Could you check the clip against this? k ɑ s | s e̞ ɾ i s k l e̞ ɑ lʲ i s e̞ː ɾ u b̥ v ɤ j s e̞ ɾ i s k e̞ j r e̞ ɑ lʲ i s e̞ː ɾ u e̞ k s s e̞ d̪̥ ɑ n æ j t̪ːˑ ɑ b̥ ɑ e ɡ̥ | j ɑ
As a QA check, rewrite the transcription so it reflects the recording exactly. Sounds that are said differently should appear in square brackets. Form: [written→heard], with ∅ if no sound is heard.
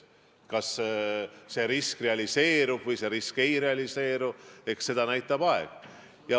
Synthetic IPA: k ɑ s | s e̞ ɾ i s k [l→r] e̞ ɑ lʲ i s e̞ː ɾ u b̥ v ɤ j s e̞ ɾ i s k e̞ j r e̞ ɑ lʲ i s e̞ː ɾ u e̞ k s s e̞ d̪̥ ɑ n æ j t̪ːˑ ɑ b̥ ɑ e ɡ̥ | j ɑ

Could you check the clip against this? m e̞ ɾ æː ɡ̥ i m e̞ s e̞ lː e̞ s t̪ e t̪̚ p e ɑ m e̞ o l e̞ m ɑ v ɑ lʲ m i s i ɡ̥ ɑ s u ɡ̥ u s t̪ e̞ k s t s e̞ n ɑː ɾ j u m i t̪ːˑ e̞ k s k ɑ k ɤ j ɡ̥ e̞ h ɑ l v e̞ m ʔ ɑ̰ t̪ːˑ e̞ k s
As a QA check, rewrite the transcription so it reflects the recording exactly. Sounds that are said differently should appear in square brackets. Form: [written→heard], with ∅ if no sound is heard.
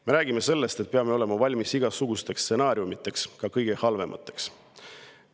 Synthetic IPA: m e̞ ɾ æː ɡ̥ i m e̞ s e̞ lː e̞ s t̪ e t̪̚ p e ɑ m e̞ o l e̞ m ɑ v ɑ lʲ m i s i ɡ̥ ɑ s u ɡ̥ u s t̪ e̞ k s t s e̞ n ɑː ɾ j u m i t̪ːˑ e̞ k s k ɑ k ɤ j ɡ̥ e̞ h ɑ l v e̞ m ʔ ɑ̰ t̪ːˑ e̞ k s

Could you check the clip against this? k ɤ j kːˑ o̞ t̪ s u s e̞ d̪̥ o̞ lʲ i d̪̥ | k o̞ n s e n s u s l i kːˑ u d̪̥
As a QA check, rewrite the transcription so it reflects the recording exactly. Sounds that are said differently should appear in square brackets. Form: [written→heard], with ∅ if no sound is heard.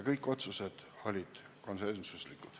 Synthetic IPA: k ɤ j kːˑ o̞ t̪ s u s e̞ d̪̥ o̞ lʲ i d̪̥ | k o̞ n s e n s u s l i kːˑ u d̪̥

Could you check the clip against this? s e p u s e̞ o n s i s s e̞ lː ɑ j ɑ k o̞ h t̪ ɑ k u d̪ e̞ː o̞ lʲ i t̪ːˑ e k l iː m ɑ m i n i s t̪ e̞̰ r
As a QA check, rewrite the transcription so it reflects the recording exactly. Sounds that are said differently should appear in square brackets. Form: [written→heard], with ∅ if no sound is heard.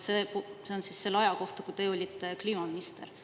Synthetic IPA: s e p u s e̞ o n s i s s e̞ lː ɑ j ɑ k o̞ h t̪ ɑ k u [d̪→t̪] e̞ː o̞ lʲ i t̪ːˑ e k l iː m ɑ m i n i s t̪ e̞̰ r

